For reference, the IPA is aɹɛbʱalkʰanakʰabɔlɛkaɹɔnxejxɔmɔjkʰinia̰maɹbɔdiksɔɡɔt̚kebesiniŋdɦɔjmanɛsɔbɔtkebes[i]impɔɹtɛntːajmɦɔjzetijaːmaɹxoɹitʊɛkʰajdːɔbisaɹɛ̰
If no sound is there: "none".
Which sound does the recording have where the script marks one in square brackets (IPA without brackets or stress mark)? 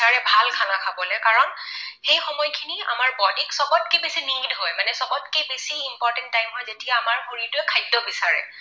i